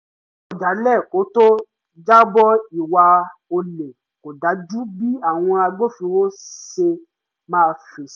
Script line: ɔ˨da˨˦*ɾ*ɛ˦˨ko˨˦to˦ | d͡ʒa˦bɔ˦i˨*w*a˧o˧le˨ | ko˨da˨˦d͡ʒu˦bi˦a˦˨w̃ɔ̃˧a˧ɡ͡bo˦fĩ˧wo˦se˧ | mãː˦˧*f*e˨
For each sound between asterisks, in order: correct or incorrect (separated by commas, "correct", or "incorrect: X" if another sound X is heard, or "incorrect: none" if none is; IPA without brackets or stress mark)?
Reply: incorrect: l, correct, correct